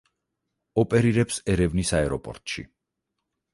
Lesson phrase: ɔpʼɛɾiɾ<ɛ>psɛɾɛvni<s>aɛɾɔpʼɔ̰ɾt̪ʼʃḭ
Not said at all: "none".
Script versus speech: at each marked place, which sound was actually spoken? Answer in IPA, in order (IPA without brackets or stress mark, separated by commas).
ɛ, s